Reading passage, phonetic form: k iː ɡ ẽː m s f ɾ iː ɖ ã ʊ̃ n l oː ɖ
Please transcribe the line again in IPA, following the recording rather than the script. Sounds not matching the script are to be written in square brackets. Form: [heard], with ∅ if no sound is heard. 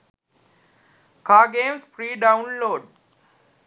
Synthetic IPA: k [aː] ɡ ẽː m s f ɾ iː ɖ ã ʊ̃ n l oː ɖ

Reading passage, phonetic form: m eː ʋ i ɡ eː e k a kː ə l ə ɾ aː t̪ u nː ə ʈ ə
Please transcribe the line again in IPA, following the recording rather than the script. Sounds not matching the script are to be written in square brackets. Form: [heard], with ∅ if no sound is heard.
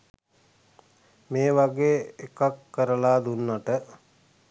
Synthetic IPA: m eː ʋ [a] ɡ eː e k a kː ə [ɾ] ə [l] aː [d̪] u nː [a] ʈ ə

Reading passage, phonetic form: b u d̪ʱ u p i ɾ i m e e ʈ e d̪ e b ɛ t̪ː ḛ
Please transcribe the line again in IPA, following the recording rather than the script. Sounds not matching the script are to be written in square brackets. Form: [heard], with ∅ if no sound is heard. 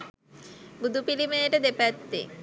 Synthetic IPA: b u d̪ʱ u p i [l] i m e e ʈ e d̪ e [p] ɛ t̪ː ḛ

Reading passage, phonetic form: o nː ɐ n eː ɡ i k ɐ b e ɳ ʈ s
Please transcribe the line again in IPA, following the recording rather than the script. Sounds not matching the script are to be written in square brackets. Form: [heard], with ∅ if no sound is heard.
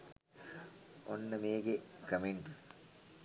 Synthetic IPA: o nː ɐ [m] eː ɡ [e] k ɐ [m] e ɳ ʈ s

